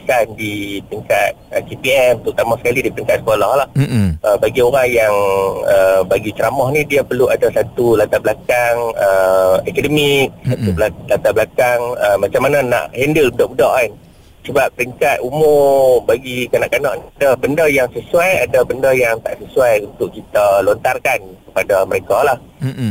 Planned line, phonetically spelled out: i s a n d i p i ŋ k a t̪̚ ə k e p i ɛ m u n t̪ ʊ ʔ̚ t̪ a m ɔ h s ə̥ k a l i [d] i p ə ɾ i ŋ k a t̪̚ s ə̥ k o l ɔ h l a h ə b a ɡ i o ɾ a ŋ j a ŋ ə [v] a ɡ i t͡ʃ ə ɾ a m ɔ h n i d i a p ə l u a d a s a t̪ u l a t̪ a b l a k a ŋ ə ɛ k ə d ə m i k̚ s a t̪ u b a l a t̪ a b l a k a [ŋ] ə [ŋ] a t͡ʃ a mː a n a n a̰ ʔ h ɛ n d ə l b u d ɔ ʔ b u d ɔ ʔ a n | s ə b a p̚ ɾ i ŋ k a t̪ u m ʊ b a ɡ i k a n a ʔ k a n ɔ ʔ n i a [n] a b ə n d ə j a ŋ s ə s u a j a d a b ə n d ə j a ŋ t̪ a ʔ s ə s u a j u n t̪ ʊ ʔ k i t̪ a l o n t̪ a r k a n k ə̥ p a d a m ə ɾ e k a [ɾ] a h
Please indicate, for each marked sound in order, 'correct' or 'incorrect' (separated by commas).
correct, incorrect, correct, incorrect, incorrect, incorrect